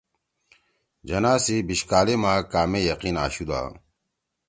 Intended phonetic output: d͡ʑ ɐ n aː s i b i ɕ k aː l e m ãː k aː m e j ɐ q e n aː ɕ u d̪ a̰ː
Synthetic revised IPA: d͡ʑ ɐ n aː s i b i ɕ k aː l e m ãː k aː m e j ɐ q i n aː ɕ u d̪ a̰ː

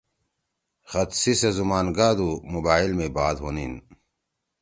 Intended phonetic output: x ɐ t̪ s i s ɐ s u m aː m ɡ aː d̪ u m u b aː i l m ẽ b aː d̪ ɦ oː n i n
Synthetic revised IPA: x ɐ t̪ s i s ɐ z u m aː n ɡ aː d̪ u m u b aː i l m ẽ b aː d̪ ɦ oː n i n

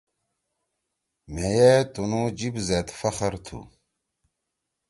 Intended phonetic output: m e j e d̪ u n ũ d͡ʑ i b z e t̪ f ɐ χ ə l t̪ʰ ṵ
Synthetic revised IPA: m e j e t̪ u n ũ d͡ʑ i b z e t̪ f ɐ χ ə ɾ t̪ʰ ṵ

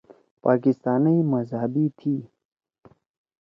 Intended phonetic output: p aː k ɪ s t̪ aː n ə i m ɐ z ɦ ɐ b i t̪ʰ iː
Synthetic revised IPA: p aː k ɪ s t̪ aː n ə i m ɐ z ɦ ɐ b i t̪ʰ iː

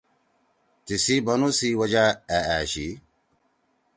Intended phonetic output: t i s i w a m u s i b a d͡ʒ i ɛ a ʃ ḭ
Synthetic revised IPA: t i s i b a n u s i w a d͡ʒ a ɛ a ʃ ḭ

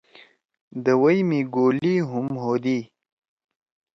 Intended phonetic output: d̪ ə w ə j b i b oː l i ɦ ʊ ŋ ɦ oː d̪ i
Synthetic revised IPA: d̪ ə w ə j m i ɡ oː l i ɦ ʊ m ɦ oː d̪ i

